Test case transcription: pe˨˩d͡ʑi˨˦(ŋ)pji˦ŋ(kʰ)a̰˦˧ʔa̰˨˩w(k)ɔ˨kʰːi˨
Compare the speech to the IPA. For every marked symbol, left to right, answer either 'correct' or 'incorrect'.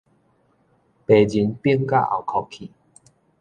incorrect: n, incorrect: k, incorrect: kʰ

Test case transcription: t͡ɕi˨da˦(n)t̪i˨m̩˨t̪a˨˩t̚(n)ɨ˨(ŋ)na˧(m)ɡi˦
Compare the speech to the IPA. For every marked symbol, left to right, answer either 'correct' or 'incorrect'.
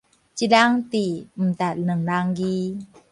incorrect: ŋ, correct, correct, incorrect: ŋ

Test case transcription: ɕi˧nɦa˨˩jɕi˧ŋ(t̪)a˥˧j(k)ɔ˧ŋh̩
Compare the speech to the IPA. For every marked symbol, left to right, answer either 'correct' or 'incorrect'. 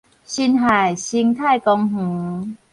incorrect: t̪ʰ, correct

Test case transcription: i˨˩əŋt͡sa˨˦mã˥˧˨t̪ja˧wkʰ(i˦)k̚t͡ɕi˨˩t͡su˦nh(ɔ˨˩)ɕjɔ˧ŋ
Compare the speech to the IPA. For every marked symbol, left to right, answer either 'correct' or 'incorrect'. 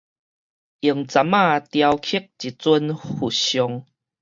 correct, incorrect: u˨˩

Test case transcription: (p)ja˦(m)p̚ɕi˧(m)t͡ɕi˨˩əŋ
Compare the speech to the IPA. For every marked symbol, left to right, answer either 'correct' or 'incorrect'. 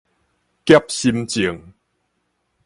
incorrect: k, incorrect: none, correct

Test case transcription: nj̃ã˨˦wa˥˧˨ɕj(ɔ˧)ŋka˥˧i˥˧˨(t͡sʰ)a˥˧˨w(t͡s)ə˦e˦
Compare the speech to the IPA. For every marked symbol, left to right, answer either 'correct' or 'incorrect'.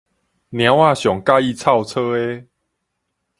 incorrect: ɔ˨˩, correct, incorrect: t͡sʰ

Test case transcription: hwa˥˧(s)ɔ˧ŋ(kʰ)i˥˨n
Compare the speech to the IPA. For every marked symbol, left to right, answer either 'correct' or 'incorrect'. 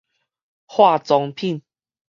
incorrect: t͡s, incorrect: pʰ

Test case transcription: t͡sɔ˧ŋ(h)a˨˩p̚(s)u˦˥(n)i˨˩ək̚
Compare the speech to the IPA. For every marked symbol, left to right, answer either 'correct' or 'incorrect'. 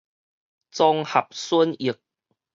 correct, correct, correct

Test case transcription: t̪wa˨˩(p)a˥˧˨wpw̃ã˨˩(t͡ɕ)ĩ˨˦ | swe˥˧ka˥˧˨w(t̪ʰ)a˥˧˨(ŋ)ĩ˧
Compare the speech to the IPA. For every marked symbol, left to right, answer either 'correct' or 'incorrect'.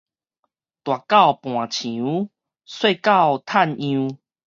incorrect: k, incorrect: t͡ɕʰ, correct, incorrect: n

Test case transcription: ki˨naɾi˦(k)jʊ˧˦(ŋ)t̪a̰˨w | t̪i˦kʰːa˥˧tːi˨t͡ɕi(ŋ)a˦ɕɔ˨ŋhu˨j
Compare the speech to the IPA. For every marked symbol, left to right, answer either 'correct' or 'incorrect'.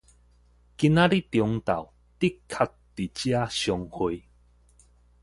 incorrect: t, correct, incorrect: none

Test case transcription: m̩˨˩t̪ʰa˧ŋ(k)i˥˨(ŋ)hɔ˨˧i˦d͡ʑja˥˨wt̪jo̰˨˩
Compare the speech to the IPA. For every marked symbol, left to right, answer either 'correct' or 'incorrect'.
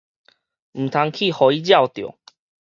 incorrect: kʰ, incorrect: none

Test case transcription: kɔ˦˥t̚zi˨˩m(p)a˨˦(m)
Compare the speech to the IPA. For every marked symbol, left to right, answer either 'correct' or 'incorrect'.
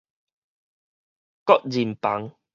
correct, incorrect: ŋ

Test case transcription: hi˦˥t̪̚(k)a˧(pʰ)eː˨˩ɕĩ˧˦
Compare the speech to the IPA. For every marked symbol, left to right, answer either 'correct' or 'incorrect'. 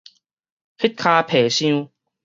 incorrect: kʰ, correct

